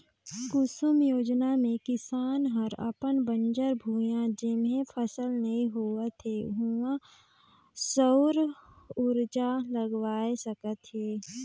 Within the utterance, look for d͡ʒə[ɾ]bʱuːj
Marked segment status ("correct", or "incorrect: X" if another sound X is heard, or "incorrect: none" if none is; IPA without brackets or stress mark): correct